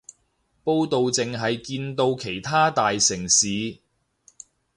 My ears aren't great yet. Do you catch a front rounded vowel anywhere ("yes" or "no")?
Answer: no